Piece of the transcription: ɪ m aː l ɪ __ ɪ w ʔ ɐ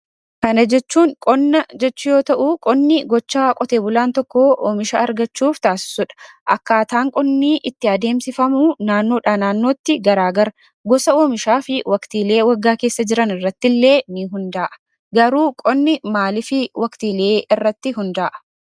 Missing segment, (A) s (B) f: B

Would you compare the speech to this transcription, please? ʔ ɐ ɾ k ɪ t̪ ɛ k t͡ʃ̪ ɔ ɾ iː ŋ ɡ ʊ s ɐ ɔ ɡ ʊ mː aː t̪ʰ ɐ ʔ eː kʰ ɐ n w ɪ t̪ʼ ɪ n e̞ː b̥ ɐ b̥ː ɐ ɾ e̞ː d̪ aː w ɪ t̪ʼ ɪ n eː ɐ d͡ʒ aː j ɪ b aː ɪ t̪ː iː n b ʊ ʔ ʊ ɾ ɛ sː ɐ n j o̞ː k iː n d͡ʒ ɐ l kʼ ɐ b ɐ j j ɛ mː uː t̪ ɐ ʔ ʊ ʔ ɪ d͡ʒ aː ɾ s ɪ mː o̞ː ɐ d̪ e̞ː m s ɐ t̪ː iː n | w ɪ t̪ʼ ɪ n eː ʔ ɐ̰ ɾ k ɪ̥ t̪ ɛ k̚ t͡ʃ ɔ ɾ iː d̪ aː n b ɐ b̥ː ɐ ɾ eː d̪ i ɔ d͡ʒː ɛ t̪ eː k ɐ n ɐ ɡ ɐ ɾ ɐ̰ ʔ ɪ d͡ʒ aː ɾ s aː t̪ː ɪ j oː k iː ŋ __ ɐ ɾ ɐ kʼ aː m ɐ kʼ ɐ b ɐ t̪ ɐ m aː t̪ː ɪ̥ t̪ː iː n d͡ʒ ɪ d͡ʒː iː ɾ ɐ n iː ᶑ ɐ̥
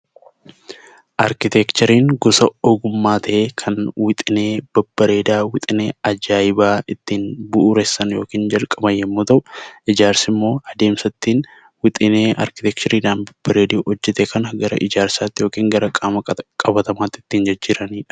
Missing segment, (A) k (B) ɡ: B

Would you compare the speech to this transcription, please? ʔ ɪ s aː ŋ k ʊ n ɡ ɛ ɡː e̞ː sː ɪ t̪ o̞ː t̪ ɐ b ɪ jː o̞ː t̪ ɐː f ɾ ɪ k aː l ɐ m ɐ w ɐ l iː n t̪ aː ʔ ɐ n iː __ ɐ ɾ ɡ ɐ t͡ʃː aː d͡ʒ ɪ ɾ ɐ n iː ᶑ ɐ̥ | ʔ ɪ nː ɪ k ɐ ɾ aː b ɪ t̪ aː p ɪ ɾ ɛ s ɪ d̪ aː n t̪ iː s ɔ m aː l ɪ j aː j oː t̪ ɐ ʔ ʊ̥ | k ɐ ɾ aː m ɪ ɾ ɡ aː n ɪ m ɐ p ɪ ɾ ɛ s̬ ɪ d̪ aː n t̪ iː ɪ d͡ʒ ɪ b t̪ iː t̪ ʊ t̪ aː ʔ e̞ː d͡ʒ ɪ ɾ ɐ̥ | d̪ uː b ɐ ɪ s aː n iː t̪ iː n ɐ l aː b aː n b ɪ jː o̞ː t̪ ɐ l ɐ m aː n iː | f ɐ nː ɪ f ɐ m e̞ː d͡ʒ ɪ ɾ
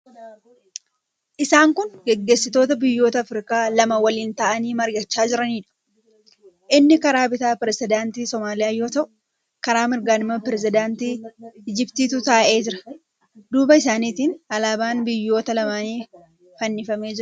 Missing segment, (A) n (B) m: B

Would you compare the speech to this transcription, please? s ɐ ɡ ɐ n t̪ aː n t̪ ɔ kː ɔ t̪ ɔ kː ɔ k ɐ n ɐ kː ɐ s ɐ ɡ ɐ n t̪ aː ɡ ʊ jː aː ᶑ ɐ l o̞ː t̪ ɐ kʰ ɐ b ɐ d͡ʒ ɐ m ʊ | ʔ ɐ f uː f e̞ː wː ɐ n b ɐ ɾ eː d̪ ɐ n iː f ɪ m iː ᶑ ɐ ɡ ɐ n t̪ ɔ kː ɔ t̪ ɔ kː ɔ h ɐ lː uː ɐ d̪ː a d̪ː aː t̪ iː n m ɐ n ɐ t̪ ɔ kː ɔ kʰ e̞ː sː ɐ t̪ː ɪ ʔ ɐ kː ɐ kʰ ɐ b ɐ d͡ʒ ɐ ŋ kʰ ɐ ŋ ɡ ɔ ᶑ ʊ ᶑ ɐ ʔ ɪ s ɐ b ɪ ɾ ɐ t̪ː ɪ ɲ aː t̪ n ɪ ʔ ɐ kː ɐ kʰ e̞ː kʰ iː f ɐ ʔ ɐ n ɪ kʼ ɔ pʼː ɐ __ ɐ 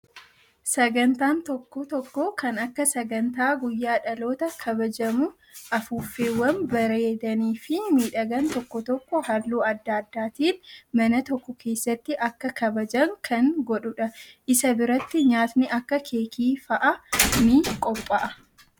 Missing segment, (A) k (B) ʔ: B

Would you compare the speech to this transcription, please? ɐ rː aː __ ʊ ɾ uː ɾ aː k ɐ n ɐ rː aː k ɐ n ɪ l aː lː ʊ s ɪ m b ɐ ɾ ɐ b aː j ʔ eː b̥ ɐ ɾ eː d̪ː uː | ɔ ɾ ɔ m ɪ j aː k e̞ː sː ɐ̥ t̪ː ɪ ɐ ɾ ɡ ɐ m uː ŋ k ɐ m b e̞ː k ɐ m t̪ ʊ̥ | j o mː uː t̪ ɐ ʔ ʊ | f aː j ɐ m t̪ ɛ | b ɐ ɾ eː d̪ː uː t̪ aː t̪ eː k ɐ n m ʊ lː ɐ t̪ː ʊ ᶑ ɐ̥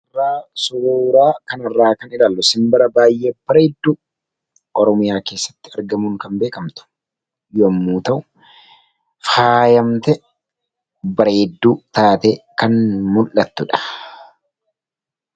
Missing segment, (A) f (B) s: B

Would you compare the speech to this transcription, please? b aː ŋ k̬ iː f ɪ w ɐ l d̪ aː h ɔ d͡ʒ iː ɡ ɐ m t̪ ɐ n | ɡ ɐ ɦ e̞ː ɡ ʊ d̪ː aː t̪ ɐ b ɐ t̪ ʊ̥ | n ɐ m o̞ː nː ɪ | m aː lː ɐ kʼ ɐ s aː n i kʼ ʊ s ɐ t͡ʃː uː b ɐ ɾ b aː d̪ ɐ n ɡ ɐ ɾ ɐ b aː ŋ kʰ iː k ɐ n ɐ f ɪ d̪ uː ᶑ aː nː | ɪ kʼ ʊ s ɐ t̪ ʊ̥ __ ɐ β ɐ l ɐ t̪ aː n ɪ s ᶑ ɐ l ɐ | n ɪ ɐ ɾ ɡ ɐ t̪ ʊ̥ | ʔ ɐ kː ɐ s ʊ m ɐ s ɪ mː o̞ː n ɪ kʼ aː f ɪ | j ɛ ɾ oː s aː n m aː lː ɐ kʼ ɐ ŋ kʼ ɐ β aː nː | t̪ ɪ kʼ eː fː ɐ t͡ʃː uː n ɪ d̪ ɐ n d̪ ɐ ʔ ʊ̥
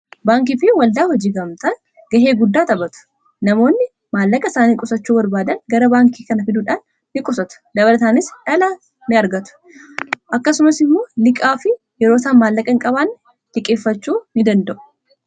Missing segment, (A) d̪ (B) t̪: A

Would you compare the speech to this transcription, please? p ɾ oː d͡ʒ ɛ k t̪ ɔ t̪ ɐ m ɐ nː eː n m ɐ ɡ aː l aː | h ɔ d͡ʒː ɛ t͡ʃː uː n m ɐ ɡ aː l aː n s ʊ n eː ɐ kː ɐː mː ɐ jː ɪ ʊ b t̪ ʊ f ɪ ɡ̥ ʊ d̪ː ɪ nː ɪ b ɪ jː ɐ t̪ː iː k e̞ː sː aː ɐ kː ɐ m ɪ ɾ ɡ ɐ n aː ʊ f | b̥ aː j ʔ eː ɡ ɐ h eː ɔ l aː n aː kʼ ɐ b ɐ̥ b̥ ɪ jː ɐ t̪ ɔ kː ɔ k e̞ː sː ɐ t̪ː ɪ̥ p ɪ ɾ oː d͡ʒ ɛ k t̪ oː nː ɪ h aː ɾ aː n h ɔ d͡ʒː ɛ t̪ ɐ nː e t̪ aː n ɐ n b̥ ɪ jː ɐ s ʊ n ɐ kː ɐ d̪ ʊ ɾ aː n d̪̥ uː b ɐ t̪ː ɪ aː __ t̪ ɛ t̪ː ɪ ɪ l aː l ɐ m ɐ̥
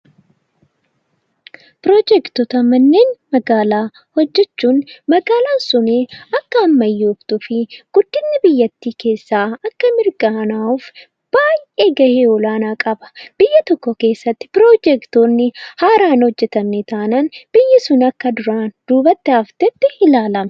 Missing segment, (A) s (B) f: B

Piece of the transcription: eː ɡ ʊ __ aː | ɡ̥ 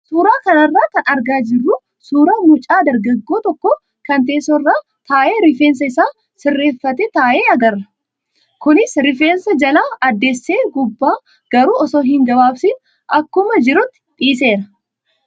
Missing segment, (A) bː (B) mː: A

